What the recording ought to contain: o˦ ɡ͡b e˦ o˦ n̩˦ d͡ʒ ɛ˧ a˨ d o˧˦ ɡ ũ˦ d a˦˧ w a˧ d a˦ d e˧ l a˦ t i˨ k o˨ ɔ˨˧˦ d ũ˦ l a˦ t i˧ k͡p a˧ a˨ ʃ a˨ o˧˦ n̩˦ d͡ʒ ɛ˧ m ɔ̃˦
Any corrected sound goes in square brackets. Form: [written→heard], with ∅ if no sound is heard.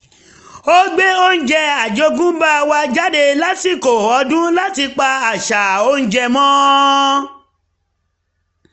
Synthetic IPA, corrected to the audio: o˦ ɡ͡b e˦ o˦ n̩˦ d͡ʒ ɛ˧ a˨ [d→d͡ʒ] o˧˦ ɡ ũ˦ [d→b] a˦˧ w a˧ [d→d͡ʒ] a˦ d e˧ l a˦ t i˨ k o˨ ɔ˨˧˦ d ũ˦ l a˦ t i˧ k͡p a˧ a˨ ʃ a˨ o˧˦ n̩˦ d͡ʒ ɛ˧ m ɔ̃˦